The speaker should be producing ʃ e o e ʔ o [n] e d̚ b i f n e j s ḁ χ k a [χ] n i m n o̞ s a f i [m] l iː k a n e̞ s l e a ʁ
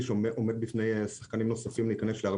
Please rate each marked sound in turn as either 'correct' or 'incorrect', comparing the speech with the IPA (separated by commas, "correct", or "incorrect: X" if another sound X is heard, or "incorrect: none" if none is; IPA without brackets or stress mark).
incorrect: m, incorrect: none, correct